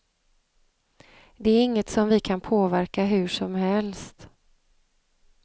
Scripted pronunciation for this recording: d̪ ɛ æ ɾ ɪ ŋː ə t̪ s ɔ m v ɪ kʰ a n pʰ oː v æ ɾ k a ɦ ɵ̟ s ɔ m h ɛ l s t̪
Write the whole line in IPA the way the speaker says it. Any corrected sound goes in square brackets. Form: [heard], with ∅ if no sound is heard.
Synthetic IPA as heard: d̪ ɛ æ ɾ ɪ ŋː ə t̪ s ɔ m v ɪ kʰ a n pʰ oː v æ ɾ k a ɦ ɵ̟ [ʂ] ɔ m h ɛ l s t̪